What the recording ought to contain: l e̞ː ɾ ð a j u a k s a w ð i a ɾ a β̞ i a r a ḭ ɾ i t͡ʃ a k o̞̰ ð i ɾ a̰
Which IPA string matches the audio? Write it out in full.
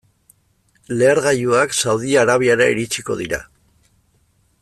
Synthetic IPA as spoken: l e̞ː ɾ ɣ a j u a k s a w ð i a ɾ a β̞ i a ɾ a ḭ ɾ i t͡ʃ i k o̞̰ ð i ɾ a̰